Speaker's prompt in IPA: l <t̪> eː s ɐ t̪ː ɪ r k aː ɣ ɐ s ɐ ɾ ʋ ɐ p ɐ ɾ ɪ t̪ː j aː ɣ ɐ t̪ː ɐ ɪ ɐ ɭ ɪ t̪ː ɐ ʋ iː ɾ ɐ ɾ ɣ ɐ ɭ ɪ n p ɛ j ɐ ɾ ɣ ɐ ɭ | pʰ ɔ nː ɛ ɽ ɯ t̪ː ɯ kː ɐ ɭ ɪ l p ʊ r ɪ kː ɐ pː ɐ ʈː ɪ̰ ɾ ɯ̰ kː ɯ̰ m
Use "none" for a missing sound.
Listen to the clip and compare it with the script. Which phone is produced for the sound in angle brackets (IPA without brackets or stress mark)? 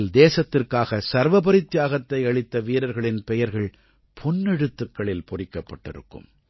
d̪